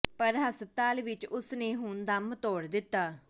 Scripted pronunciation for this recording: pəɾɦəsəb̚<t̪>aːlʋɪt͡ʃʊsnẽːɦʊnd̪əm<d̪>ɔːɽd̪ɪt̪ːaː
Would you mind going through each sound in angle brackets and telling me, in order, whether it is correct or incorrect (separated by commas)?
correct, incorrect